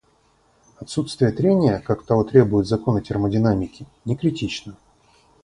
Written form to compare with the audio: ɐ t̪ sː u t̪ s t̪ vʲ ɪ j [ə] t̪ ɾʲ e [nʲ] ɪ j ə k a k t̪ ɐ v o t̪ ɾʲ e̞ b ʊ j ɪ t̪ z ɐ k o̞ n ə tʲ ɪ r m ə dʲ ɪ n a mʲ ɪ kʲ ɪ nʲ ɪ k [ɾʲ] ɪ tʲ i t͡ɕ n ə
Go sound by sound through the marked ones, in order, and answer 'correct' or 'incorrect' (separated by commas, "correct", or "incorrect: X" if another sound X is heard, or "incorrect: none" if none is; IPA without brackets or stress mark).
correct, correct, correct